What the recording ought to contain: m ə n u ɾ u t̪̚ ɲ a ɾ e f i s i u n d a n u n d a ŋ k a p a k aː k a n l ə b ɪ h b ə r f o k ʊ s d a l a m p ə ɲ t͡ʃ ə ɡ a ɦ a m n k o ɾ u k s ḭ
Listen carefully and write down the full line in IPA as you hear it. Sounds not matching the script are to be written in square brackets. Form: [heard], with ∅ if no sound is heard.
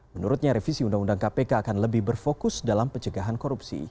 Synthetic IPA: m ə n u ɾ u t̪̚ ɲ a ɾ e f i s i u n d a [ŋ] u n d a ŋ k a p [e] k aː k a n l ə b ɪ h b ə r f o k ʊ s d a l a m p ə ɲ t͡ʃ ə ɡ a ɦ a [∅] n k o ɾ u [p] s ḭ

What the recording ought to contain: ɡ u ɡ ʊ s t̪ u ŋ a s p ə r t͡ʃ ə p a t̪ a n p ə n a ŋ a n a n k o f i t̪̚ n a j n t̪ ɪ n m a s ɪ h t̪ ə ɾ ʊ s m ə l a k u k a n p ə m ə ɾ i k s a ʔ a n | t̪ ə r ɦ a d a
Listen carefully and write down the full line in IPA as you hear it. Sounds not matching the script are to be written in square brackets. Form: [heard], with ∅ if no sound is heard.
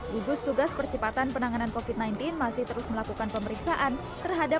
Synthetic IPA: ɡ u ɡ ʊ s t̪ u [ɡ] a s p ə r t͡ʃ ə p a t̪ a n p ə n a ŋ a n a n k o f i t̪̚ n a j n t̪ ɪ n m a s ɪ h t̪ ə ɾ ʊ s m ə l a k u k a n p ə m ə ɾ i k s a ʔ a n | t̪ ə r ɦ a d a

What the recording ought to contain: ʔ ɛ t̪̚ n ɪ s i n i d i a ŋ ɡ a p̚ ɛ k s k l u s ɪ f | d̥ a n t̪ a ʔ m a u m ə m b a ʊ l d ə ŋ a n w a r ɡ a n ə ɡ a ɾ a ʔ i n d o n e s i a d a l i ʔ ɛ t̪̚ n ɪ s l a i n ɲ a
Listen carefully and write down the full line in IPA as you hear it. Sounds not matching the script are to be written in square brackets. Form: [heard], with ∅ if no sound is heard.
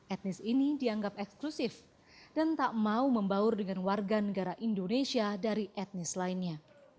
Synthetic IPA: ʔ ɛ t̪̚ n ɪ s i n i d i a ŋ ɡ a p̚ ɛ k s k l u s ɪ f | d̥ a n t̪ a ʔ m a u m ə m b a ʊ [r] d ə ŋ a n w a r ɡ a n ə ɡ a ɾ a ʔ i n d o n e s i a d a [ɾ] i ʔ ɛ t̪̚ n ɪ s l a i n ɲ a

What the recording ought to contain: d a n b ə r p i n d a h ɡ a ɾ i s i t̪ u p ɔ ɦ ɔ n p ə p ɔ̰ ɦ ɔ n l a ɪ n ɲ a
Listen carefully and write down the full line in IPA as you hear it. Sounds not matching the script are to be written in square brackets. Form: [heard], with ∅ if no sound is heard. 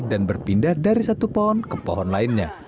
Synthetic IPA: d a n b ə r p i n d a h [d] a ɾ i s [a] t̪ u p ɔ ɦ ɔ n [k] ə p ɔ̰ ɦ ɔ n l a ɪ n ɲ a

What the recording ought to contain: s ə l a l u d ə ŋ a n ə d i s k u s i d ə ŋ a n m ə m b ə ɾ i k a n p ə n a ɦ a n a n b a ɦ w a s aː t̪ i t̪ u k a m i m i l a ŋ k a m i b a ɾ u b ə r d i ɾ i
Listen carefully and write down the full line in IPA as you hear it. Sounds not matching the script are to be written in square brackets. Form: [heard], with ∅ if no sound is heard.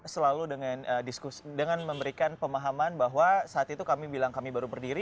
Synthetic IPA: s ə l a l u d ə ŋ a n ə d i s k u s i d ə ŋ a n m ə m b ə ɾ i k a n p ə [m] a ɦ a [m] a n b a ɦ w a s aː t̪ i t̪ u k a m i [b] i l a ŋ k a m i b a ɾ u b ə r d i ɾ i

